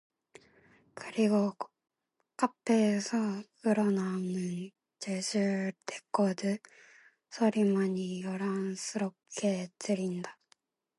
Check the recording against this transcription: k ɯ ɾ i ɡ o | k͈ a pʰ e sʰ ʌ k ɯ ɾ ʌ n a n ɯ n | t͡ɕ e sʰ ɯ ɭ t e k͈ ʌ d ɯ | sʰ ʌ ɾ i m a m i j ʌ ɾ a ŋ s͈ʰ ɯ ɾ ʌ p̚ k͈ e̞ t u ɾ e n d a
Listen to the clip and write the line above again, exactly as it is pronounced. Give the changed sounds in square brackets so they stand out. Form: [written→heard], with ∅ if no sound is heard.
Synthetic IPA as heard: k ɯ ɾ i ɡ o | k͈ a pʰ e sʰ ʌ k ɯ ɾ ʌ n a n ɯ n | t͡ɕ e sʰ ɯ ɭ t e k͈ ʌ d ɯ | sʰ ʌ ɾ i m a [m→ɲ] i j ʌ ɾ a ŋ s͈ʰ ɯ ɾ ʌ p̚ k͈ e̞ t [u→ɯ] ɾ [e→i] n d a